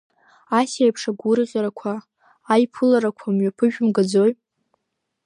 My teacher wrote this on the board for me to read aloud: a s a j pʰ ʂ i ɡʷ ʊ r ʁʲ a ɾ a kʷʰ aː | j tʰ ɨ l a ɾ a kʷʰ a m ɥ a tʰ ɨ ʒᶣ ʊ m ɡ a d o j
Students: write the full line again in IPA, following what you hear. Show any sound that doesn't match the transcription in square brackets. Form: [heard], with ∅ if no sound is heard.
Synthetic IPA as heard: a s a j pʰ ʂ [a] ɡʷ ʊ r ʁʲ a ɾ a kʷʰ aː | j [pʰ] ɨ l a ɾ a kʷʰ a m ɥ a [pʰ] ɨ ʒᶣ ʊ m ɡ a [d͡z] o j